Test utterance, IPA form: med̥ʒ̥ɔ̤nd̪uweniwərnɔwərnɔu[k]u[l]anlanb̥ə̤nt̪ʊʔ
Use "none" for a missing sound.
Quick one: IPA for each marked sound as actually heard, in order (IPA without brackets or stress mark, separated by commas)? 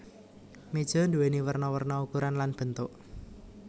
k, ɾ